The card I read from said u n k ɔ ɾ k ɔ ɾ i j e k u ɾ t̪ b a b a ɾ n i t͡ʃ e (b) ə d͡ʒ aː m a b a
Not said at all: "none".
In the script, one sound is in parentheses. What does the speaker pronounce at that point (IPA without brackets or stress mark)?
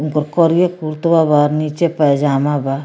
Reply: p